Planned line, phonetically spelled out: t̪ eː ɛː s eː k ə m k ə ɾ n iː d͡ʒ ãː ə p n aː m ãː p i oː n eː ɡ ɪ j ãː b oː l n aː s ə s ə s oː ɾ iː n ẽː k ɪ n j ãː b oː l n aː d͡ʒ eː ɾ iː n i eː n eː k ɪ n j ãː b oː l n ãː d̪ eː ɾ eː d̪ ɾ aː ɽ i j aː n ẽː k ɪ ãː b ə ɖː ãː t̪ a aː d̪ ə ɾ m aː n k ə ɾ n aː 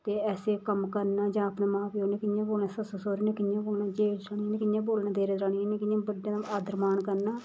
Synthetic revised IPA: t̪ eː ɛː s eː k ə m k ə ɾ n aː d͡ʒ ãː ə p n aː m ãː p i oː n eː k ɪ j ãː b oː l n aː s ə s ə s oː ɾ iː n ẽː k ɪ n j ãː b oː l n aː d͡ʒ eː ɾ aː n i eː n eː k ɪ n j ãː b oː l n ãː d̪ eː ɾ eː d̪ ɾ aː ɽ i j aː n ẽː k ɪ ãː b ə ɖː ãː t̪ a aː d̪ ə ɾ m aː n k ə ɾ n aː